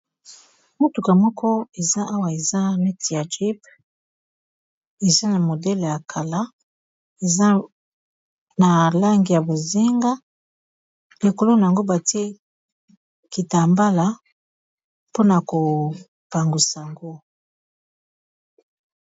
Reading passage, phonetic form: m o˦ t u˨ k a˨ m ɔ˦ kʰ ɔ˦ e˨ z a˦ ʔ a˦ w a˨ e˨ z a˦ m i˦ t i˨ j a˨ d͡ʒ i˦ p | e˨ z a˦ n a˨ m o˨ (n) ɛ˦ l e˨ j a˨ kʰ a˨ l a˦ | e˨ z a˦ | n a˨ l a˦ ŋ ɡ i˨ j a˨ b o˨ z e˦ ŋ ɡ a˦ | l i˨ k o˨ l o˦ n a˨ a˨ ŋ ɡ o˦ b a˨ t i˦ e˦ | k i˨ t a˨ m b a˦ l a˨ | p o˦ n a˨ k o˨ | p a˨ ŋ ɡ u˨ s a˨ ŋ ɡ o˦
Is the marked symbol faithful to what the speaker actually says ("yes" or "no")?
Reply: no